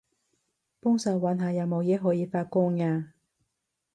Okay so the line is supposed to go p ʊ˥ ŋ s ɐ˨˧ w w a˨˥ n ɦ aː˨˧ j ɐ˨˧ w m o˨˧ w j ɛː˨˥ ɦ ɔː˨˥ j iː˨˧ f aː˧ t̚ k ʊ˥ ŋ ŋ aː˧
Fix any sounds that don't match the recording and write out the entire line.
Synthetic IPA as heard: p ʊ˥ ŋ s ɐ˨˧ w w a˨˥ n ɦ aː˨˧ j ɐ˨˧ w m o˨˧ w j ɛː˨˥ ɦ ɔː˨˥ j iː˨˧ f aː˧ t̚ k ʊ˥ ŋ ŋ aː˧